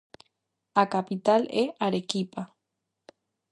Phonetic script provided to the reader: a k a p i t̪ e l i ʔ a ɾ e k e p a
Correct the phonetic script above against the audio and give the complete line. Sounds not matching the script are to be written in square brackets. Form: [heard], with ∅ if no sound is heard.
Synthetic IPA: a k a p i t̪ [a] l [e] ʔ a ɾ e k [i] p a